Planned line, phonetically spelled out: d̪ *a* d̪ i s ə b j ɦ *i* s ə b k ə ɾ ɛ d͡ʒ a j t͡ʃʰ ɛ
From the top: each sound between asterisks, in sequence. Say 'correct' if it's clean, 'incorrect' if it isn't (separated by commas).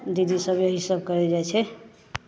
incorrect, correct